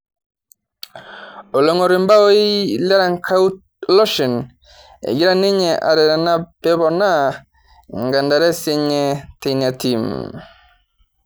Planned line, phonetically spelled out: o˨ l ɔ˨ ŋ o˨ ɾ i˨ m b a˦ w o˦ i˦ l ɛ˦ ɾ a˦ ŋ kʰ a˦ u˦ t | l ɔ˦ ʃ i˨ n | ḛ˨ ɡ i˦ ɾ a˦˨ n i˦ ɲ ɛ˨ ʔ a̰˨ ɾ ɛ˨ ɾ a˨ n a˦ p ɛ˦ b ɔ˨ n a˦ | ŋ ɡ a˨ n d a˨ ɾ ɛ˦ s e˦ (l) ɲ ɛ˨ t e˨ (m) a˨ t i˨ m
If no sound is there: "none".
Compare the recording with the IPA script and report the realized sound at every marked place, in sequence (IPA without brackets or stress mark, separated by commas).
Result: none, n